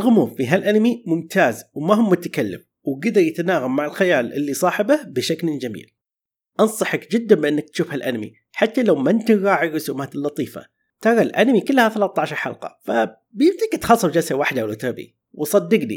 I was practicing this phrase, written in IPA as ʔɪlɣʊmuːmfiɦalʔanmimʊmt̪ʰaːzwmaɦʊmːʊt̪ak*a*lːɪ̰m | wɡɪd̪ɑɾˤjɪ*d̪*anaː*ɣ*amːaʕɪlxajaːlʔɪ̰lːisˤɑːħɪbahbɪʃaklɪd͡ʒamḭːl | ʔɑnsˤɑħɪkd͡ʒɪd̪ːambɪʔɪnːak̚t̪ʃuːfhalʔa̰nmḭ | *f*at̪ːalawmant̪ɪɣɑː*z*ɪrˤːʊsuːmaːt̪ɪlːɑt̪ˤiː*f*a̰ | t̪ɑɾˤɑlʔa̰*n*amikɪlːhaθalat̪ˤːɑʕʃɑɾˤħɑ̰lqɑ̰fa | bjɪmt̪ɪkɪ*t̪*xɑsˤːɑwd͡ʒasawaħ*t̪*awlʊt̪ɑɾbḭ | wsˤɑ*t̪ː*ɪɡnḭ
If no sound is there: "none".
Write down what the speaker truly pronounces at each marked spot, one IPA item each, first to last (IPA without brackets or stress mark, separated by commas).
a, t̪, ɣ, ħ, ʕ, f, n, t̪, d̪, d̪ː